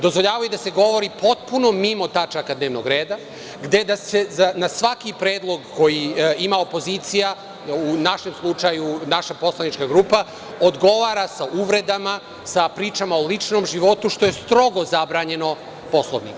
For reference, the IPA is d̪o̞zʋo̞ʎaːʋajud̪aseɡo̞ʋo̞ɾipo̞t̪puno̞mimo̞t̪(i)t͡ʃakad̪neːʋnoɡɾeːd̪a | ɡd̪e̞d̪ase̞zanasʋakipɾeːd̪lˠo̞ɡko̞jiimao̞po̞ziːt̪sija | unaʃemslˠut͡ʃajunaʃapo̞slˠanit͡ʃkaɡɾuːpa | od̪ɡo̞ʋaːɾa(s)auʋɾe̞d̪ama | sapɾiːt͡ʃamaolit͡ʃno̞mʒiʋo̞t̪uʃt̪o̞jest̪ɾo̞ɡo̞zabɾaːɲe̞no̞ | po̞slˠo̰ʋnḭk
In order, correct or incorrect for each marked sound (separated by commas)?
incorrect, correct